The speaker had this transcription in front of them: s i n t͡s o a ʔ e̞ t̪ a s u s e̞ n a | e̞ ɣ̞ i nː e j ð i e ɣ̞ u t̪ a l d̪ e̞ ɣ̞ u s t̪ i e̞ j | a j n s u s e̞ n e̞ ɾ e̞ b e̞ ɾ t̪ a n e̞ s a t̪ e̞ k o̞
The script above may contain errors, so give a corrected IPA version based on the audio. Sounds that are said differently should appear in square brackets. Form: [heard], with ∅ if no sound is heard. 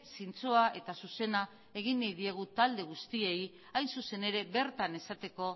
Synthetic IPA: s i n t͡s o a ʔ e̞ t̪ a s u s e̞ n a | e̞ ɣ̞ i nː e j ð i e ɣ̞ u t̪ a l d̪ e̞ ɣ̞ u s t̪ i e̞ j | a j n s u s e̞ n e̞ ɾ e̞ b e̞ ɾ t̪ a n e̞ s a t̪ e̞ k o̞